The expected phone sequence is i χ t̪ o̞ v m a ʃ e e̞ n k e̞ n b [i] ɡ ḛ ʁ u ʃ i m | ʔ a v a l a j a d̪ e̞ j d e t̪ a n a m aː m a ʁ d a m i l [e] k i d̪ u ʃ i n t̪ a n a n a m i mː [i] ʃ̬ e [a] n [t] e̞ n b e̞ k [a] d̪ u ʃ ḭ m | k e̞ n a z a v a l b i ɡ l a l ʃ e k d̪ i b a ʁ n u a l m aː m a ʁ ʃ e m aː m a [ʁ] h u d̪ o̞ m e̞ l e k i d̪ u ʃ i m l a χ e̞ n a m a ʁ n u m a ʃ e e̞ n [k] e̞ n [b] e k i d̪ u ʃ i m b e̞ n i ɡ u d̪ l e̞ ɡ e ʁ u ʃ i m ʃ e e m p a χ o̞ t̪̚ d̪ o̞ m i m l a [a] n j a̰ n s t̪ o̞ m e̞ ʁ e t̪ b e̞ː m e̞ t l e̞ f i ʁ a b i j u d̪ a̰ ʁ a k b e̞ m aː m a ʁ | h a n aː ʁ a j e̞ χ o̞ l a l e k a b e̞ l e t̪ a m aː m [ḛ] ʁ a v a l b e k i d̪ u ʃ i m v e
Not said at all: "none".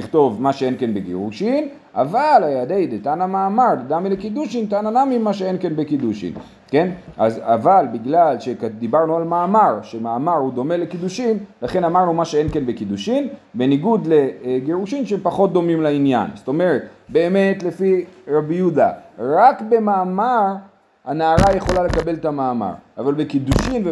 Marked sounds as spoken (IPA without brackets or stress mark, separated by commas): e, e, a, e, k, i, ʁ, k, b, i, a̰